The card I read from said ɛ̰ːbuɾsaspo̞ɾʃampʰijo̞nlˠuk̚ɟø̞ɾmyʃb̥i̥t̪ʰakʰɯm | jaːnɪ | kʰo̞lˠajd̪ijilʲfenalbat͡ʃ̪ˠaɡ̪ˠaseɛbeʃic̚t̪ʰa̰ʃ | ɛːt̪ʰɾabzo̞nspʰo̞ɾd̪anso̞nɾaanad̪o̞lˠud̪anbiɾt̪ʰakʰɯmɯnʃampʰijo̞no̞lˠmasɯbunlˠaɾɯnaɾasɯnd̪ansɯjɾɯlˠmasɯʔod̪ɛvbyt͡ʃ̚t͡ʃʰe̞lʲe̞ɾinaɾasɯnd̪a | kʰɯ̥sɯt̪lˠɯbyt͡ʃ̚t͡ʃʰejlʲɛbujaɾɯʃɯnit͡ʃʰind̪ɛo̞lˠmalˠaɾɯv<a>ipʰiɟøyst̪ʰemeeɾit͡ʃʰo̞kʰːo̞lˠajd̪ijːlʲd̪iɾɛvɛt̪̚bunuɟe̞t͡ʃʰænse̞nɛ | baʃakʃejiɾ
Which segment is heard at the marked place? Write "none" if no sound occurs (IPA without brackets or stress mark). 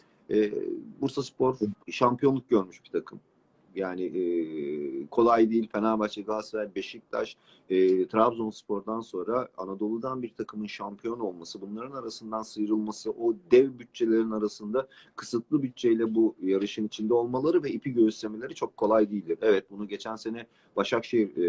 ɛ